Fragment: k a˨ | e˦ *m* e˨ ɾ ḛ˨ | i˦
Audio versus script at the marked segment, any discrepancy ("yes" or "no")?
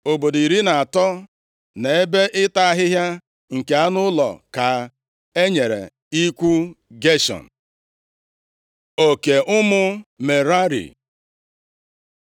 yes